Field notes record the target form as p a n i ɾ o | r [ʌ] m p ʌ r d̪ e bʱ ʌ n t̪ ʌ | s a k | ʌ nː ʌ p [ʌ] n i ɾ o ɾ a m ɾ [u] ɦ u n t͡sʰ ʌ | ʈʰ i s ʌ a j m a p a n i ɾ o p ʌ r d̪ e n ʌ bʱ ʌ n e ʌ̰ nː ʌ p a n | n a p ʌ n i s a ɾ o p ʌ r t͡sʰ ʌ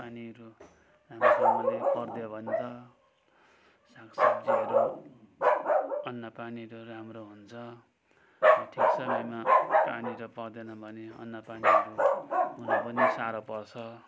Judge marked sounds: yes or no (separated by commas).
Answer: no, no, no